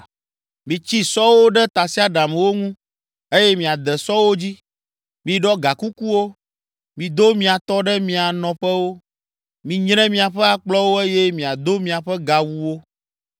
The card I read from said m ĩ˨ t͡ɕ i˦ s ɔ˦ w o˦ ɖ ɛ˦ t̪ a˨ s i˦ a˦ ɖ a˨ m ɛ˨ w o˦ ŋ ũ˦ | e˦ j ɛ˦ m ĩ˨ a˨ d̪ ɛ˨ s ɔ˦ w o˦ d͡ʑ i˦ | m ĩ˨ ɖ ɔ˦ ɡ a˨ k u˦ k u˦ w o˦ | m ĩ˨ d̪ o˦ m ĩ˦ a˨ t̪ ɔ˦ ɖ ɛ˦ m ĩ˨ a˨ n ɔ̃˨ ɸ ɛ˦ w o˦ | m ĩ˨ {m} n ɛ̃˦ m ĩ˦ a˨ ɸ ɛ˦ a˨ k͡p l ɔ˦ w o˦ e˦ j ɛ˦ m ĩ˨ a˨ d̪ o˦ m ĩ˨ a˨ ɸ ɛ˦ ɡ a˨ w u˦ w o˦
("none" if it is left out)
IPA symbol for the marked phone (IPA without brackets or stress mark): ɲ